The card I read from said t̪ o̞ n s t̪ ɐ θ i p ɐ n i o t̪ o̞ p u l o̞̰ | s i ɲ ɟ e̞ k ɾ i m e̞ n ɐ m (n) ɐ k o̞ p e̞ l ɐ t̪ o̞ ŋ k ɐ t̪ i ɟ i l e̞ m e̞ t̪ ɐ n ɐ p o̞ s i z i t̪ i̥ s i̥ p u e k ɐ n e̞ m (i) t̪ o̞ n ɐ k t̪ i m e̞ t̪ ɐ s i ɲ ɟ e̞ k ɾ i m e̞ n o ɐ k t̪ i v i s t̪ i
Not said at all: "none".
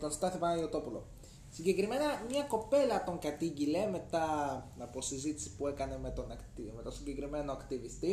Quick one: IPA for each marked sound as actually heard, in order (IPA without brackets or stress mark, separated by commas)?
ɲ, e